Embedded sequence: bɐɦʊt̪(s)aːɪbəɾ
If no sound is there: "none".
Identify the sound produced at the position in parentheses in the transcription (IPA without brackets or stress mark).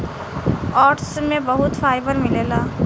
f